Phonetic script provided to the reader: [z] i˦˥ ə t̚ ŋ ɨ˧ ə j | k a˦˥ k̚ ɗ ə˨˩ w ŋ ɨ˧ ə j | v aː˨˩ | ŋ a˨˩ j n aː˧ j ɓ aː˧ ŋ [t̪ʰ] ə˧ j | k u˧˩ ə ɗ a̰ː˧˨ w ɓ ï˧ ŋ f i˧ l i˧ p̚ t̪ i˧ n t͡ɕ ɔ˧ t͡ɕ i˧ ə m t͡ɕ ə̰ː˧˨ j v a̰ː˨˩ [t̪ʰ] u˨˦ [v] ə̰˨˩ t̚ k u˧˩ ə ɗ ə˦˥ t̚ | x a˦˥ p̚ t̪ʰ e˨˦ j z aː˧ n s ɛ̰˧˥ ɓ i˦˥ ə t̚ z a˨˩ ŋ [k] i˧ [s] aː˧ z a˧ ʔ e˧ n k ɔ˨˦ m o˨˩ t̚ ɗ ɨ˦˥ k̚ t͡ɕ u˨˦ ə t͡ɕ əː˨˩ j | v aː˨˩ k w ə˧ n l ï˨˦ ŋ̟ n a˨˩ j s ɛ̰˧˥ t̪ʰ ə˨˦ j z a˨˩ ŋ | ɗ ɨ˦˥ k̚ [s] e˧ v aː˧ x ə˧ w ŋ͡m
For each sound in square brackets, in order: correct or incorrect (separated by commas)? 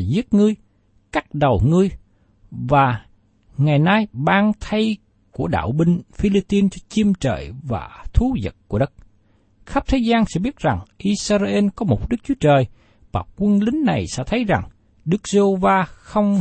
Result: correct, correct, correct, incorrect, incorrect, correct, incorrect